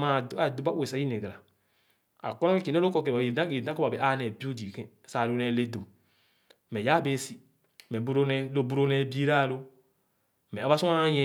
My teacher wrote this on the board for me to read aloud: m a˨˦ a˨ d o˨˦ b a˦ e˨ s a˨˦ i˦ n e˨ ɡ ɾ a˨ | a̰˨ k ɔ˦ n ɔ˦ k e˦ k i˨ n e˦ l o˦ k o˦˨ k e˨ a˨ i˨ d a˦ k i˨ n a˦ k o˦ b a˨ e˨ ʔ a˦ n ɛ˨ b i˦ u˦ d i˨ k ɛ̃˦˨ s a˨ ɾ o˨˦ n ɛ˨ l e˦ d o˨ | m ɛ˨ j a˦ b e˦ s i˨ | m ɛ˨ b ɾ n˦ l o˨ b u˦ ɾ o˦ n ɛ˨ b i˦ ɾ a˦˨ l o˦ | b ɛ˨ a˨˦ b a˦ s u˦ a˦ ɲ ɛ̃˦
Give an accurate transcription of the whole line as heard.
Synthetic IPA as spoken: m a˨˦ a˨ d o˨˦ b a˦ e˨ s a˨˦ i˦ n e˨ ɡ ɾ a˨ | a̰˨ k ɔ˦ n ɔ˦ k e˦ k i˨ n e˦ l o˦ k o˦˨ k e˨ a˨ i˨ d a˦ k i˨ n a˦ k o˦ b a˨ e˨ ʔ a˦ n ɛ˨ b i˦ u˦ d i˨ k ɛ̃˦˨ s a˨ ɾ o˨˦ n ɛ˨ l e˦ d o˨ | m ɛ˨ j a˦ b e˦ s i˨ | m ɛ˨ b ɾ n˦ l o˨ b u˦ ɾ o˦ n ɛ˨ b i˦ ɾ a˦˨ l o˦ | m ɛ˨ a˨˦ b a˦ s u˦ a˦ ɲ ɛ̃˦